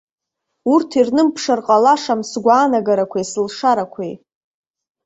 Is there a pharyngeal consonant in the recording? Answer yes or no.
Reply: no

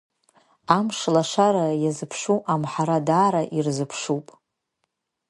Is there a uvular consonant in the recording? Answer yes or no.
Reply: no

